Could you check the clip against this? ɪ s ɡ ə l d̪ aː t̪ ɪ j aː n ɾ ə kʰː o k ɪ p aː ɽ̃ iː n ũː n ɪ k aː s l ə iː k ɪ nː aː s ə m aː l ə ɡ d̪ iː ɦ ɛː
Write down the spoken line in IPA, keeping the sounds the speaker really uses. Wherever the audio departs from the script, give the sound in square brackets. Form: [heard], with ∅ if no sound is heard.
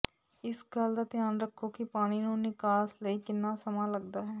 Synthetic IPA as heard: ɪ s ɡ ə l d̪ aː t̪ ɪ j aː n ɾ ə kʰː o k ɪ p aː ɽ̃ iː n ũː n ɪ k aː s l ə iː k ɪ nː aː s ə m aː l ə ɡ d̪ [aː] ɦ ɛː